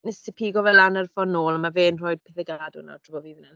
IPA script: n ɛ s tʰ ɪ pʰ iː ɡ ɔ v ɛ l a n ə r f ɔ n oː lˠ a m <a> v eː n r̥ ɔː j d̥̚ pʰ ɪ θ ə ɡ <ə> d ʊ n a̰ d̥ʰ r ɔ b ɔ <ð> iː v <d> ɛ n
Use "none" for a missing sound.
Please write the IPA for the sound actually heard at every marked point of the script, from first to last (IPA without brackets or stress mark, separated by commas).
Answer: a, a, v, n